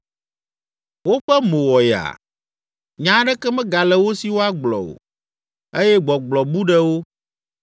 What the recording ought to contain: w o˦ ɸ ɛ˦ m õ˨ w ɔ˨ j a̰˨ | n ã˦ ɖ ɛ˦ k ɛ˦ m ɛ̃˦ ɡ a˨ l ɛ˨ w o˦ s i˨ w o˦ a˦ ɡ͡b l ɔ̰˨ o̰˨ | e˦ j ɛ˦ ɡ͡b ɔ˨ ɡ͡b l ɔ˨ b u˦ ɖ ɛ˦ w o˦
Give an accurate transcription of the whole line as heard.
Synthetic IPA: w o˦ ɸ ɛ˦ m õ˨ w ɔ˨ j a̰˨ | ɲ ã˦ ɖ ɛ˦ k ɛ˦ m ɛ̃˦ ɡ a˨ l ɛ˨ w o˦ s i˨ w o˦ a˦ ɡ͡b l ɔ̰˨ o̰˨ | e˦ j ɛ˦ ɡ͡b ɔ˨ ɡ͡b l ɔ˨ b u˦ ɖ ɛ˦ w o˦